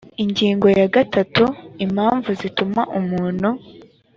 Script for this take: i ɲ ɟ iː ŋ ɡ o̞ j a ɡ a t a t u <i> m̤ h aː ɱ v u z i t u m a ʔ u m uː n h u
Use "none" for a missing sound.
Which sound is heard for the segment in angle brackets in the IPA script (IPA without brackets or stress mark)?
i